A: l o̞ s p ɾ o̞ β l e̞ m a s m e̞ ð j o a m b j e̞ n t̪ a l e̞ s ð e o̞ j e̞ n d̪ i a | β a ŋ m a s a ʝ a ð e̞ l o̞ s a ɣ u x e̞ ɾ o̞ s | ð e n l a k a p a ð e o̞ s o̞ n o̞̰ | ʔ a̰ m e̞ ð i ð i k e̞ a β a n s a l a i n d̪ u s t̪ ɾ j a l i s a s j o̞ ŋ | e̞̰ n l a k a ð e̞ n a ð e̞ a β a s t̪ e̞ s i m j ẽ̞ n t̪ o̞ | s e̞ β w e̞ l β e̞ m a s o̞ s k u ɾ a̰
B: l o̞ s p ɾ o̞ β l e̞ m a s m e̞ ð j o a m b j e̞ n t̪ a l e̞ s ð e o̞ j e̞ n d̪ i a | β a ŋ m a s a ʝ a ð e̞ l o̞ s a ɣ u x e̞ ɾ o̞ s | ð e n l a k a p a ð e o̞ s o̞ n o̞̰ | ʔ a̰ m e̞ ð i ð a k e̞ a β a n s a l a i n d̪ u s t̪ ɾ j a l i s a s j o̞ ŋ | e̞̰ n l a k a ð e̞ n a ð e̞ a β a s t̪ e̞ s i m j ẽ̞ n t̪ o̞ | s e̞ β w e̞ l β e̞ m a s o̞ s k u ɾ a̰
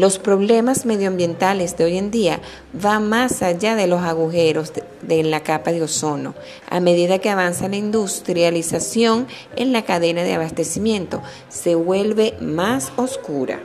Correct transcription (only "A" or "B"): B